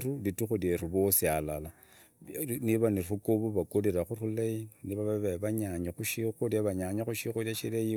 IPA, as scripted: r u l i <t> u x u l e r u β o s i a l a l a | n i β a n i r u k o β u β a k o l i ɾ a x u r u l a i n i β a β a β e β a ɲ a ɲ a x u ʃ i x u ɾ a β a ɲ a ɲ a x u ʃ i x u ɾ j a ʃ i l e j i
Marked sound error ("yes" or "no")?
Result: no